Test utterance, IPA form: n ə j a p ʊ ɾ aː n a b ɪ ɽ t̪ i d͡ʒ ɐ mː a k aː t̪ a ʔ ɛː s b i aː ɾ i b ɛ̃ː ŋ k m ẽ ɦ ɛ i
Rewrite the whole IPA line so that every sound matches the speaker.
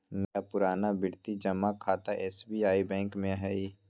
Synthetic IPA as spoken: n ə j a p ʊ ɾ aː n a b ɪ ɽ t̪ i d͡ʒ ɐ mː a kʰ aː t̪ a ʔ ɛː s b i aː i b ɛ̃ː ŋ k m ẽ ɦ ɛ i